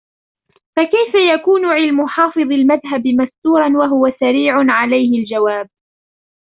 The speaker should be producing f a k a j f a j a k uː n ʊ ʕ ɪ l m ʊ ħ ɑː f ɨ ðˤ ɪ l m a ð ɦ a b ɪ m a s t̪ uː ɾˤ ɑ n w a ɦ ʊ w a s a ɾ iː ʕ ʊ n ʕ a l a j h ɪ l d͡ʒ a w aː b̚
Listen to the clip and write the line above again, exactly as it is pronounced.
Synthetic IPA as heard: f a k a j f a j a k uː n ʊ ʕ ɪ l m ʊ ħ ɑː f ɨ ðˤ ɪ l m a ð ɦ a b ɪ m a s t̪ uː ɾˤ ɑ n w a ɦ ʊ w a s a ɾ iː ʕ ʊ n ʕ a l a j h ɪ l d͡ʒ a w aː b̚